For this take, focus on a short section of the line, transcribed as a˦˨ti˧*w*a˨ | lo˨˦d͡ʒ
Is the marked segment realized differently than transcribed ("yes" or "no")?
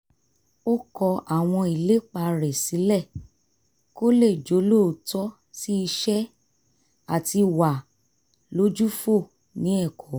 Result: no